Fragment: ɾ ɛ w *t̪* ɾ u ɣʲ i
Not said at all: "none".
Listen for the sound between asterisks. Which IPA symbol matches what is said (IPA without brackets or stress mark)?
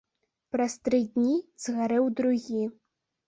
d̪